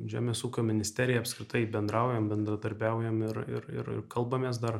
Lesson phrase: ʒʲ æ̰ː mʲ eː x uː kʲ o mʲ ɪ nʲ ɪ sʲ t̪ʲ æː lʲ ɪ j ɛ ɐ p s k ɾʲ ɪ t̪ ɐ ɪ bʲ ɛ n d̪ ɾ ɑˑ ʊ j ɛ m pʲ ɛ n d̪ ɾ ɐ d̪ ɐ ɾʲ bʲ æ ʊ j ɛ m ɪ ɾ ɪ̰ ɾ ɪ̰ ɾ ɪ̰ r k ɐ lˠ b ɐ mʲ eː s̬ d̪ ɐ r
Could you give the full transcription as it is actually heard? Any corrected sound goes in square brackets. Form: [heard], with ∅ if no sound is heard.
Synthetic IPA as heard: ʒʲ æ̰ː mʲ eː [s] uː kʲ o mʲ ɪ nʲ ɪ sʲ t̪ʲ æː [ɾʲ] ɪ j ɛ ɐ p s k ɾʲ ɪ t̪ ɐ ɪ bʲ ɛ n d̪ ɾ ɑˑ ʊ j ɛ m [bʲ] ɛ n d̪ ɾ ɐ d̪ ɐ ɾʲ bʲ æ ʊ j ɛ m ɪ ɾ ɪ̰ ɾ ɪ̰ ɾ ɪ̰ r k ɐ lˠ b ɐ mʲ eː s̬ d̪ ɐ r